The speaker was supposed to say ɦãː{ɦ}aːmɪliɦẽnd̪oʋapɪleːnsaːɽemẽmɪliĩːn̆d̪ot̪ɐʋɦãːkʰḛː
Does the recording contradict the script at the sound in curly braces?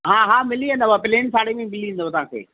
no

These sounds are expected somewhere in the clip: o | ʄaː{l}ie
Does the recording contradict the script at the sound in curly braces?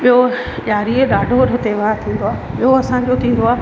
yes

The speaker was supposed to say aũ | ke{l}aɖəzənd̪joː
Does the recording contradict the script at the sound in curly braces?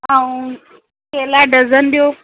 no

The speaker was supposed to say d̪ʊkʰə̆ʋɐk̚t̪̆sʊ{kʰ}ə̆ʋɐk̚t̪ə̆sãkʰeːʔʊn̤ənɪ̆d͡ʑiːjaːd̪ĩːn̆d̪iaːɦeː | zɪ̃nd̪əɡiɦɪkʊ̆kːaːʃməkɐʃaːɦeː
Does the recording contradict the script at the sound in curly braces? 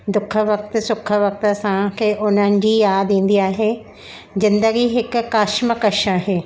no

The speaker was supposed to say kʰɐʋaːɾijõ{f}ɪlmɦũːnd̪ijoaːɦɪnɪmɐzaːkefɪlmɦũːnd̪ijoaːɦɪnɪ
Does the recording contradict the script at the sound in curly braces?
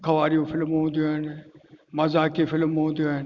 no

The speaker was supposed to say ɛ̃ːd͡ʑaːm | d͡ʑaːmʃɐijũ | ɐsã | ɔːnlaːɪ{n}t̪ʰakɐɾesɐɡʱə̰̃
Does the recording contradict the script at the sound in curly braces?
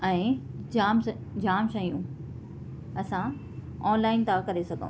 no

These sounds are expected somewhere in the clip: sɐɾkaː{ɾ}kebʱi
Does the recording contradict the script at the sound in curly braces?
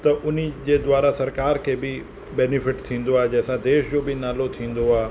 no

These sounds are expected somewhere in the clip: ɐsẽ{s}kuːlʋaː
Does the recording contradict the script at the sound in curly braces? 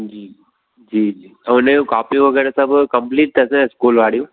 no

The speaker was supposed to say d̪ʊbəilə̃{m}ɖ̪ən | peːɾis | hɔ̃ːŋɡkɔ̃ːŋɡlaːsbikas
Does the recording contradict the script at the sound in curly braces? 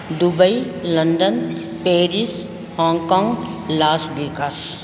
yes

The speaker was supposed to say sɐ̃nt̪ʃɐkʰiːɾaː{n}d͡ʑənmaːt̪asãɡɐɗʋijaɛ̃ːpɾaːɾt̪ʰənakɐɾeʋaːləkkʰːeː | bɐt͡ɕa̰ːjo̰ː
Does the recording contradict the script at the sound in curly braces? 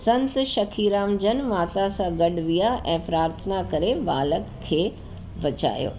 yes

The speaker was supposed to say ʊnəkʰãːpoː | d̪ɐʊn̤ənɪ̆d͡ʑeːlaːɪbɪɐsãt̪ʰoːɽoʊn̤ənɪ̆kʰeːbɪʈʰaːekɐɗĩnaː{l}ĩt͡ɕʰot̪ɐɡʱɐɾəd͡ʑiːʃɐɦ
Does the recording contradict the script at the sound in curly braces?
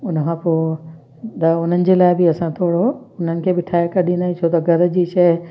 yes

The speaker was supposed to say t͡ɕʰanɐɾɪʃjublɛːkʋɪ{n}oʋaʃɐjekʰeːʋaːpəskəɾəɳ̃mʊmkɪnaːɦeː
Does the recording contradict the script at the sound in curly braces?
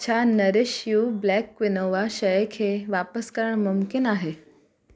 no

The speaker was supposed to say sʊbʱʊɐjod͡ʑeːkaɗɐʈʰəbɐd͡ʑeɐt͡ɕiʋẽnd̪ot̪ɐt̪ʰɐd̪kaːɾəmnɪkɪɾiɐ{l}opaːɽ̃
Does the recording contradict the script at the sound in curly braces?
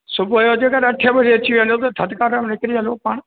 no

